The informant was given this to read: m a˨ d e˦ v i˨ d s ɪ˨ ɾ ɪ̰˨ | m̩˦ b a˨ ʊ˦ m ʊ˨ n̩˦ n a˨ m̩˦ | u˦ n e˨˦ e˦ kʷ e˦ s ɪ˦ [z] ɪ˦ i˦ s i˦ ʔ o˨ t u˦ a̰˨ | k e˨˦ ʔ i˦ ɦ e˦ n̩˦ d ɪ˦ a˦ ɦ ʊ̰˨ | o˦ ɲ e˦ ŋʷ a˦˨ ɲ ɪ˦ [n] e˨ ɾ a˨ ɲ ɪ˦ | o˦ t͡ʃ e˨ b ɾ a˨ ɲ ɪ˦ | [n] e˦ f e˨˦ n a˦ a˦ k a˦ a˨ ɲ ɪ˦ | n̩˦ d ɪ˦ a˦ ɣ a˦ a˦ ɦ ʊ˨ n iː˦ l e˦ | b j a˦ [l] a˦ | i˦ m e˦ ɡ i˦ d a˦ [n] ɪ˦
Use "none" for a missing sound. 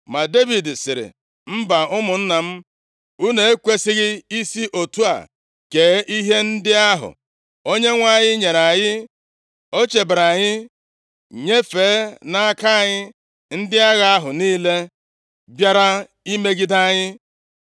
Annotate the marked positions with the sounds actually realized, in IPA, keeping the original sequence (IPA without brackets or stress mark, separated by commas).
ɣ, ɲ, ɲ, ɾ, ɲ